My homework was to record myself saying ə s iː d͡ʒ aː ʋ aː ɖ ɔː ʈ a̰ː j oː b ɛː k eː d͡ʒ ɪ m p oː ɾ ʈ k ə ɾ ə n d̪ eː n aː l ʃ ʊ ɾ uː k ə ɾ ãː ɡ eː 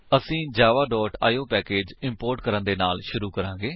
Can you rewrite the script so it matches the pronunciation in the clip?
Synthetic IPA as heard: ə s ĩː d͡ʒ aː ʋ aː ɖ ɔː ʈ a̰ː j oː p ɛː k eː d͡ʒ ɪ m p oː ɾ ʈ k ə ɾ ə n d̪ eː n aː l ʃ ʊ ɾ uː k ə ɾ ãː ɡ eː